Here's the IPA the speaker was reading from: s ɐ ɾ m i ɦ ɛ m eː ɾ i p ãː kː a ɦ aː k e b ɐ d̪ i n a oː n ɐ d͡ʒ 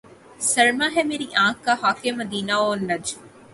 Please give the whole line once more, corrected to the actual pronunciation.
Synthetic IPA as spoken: s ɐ ɾ m a ɦ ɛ m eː ɾ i ʔ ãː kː a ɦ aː k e m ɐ d̪ iː n a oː n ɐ d͡ʒ